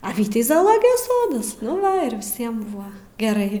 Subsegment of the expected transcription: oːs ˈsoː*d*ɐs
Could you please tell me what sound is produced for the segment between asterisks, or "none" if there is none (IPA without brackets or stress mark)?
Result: d